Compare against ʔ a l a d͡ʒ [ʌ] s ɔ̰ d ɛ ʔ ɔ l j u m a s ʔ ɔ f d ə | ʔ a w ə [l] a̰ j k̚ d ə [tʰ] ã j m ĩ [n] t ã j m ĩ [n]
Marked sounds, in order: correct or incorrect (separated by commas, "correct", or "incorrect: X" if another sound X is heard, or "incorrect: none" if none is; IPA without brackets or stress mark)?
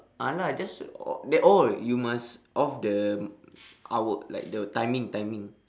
incorrect: a, correct, incorrect: t, incorrect: ŋ, incorrect: ŋ